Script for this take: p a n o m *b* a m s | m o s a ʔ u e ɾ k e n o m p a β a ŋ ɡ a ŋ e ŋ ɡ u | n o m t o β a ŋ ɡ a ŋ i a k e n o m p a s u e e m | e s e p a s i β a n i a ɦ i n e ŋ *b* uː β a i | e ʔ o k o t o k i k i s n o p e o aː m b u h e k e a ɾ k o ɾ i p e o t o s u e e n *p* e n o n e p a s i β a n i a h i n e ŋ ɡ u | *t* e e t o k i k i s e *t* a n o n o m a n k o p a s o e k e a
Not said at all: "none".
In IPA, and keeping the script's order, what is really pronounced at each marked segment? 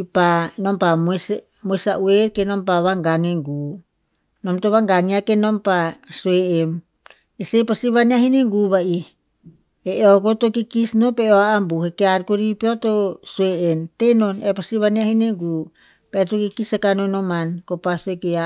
p, ɡ, t, p, k

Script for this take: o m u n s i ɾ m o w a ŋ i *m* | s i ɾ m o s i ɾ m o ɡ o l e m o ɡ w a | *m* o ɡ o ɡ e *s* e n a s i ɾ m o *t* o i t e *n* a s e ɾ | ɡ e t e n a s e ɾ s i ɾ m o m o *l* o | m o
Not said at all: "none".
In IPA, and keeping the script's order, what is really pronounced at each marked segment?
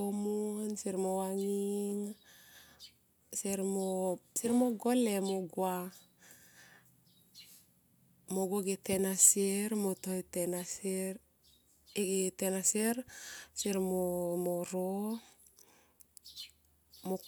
ŋ, m, t, t, n, ɾ

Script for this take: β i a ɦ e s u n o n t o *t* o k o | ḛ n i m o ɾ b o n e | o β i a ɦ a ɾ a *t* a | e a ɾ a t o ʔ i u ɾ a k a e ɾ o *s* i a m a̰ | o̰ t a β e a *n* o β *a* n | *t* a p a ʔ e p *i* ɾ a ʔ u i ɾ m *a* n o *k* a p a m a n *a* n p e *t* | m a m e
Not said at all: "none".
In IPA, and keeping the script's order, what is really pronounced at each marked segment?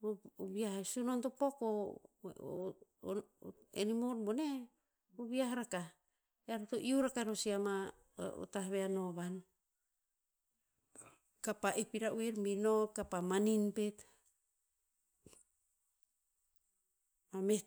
p, k, s, n, a, k, i, i, k, i, t

